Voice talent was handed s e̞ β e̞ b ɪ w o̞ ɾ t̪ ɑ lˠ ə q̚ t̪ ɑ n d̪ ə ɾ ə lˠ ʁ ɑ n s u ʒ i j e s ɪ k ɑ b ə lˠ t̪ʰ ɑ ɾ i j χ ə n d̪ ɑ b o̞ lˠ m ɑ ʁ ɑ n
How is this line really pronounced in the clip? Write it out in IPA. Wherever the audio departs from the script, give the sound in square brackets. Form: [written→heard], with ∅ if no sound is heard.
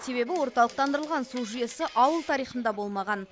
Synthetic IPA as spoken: s e̞ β e̞ b ɪ w o̞ ɾ t̪ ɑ lˠ ə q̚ t̪ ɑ n d̪ ə ɾ ə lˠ ʁ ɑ n s u ʒ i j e s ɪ [k→ʔ] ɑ [b→w] ə lˠ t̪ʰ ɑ ɾ i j χ ə n d̪ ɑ b o̞ lˠ m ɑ ʁ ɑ n